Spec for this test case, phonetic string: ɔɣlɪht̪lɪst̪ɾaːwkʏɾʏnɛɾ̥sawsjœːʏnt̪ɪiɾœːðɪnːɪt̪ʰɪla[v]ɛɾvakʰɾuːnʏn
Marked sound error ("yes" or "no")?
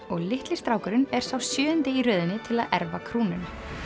yes